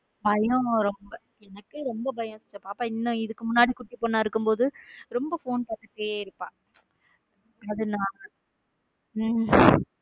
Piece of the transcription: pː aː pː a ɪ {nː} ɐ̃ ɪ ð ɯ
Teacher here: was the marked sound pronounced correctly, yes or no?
yes